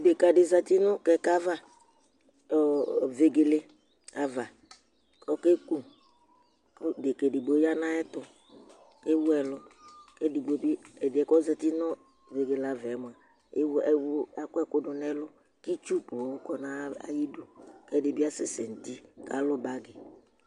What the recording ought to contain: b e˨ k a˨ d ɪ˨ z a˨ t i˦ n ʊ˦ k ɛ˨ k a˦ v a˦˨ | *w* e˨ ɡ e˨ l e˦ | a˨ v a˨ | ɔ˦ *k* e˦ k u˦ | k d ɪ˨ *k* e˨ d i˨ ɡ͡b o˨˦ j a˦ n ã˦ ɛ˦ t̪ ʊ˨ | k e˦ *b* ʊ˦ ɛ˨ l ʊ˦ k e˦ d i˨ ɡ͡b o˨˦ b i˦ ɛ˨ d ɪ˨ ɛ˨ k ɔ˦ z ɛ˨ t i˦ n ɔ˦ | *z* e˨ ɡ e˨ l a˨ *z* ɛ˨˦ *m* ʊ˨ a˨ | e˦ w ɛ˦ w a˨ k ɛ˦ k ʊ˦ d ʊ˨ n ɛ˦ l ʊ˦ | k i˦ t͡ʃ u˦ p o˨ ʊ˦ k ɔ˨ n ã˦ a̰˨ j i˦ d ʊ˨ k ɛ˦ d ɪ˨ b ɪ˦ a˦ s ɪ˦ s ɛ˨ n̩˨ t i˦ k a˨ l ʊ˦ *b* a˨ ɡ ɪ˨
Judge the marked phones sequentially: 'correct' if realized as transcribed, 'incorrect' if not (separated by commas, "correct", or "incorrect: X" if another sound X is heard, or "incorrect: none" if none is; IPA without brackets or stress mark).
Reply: incorrect: v, correct, correct, incorrect: w, incorrect: v, incorrect: v, correct, correct